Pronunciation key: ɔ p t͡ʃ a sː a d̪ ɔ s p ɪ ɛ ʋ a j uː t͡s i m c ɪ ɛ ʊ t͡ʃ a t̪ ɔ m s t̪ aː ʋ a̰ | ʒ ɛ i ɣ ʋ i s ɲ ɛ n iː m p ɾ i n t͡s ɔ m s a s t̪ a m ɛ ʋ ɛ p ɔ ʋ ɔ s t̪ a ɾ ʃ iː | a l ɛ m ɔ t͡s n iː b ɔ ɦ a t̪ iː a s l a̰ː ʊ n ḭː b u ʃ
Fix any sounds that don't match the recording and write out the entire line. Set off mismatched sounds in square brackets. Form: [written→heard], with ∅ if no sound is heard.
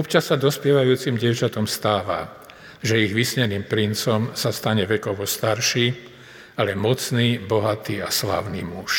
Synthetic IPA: ɔ p t͡ʃ a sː a d̪ ɔ s p ɪ ɛ ʋ a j uː t͡s i m [c→ɟ] ɪ ɛ ʊ t͡ʃ a t̪ ɔ m s t̪ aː ʋ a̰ | ʒ ɛ i ɣ ʋ i s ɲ ɛ n iː m p ɾ i n t͡s ɔ m s a s t̪ a [m→ɲ] ɛ ʋ ɛ [p→k] ɔ ʋ ɔ s t̪ a ɾ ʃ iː | a l ɛ m ɔ t͡s n iː b ɔ ɦ a t̪ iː a s l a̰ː ʊ n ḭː [b→m] u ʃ